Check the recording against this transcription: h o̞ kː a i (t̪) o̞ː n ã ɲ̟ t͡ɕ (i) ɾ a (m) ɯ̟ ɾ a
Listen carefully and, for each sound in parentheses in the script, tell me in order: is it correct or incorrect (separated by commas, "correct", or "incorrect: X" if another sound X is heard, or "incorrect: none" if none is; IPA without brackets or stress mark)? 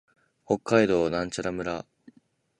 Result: incorrect: d̪, incorrect: a, correct